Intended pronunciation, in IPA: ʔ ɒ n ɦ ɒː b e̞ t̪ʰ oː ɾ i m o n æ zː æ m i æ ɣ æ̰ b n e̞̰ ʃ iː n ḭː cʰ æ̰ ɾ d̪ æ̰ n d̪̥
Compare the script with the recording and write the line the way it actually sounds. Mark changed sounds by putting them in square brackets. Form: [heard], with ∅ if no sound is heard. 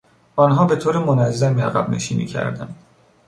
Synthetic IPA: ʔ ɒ n ɦ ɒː b e̞ t̪ʰ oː ɾ [e] m o n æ zː æ m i æ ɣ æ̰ b n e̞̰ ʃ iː n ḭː cʰ æ̰ ɾ d̪ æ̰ n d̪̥